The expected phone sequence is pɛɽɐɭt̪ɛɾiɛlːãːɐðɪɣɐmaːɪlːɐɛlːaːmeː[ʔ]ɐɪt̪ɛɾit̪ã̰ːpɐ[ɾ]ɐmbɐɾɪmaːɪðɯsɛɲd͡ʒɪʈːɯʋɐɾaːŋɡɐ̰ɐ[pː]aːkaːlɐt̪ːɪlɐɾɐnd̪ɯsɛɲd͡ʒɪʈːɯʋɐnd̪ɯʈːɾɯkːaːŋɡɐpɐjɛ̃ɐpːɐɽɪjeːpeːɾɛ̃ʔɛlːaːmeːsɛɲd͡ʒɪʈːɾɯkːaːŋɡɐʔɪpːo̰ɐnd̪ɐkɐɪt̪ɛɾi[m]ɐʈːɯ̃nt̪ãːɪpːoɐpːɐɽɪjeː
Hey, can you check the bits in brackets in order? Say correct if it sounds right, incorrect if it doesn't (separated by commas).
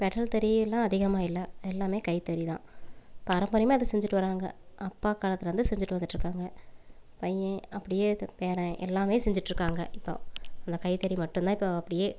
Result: incorrect, correct, correct, correct